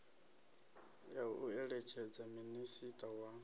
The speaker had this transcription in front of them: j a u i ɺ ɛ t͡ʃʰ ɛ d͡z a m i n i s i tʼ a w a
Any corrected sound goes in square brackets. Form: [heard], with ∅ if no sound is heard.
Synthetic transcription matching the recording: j a u [ɛ] ɺ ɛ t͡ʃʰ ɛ d͡z a m i n i s i tʼ a w a